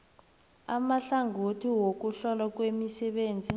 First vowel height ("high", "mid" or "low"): low